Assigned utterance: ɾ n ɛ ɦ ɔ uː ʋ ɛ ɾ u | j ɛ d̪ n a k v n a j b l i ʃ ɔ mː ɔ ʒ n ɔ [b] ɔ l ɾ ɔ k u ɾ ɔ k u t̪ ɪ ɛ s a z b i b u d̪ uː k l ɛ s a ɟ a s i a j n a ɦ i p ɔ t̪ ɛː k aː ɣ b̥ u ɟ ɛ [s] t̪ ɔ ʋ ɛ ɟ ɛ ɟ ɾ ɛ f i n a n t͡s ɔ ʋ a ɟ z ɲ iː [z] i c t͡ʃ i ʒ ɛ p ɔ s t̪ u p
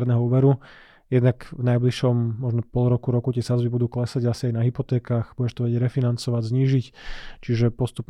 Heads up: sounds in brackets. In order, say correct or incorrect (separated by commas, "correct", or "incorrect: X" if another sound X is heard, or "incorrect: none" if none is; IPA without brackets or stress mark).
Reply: incorrect: p, incorrect: ʃ, incorrect: ʒ